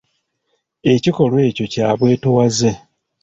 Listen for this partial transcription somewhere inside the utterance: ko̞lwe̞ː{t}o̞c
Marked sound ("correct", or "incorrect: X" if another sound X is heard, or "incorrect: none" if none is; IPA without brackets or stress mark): incorrect: c